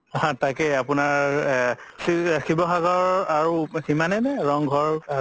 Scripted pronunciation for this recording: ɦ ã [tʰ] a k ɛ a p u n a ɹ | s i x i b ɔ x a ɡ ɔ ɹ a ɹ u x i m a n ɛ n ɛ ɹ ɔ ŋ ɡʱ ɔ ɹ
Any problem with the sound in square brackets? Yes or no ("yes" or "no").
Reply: yes